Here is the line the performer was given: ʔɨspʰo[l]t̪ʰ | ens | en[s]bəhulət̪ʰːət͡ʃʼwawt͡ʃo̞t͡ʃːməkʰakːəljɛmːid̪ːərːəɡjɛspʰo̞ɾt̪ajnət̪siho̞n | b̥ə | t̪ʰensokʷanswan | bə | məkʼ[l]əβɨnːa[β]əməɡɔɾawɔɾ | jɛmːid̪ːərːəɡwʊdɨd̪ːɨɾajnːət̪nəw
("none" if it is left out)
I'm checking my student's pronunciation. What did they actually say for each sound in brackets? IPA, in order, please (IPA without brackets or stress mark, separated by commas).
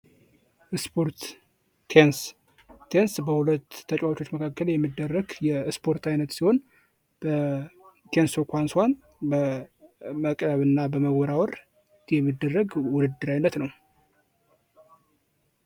ɾ, s, ɾ, b